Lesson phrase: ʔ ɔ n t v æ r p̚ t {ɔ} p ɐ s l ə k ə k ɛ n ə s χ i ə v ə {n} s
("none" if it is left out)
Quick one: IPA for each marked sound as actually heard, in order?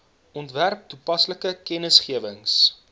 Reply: u, ŋ

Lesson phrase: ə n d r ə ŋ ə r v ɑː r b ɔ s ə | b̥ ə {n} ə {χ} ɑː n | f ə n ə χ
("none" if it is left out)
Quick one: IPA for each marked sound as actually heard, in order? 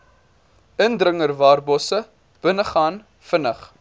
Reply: n, χ

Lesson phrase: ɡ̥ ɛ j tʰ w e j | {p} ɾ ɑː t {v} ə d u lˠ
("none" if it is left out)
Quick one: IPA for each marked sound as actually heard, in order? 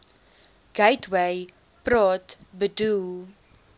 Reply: p, b

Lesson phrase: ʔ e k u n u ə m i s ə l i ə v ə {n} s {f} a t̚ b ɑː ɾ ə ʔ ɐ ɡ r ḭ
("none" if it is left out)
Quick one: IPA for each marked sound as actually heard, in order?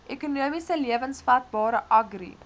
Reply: n, f

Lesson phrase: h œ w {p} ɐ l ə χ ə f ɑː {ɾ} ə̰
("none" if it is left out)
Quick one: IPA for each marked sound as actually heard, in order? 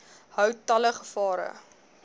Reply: t, ɾ

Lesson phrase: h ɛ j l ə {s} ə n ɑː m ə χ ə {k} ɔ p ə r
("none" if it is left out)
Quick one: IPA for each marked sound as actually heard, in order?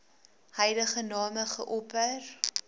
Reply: χ, ʔ

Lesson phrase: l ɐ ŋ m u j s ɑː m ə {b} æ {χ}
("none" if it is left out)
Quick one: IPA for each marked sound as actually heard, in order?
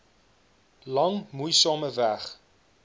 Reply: v, χ

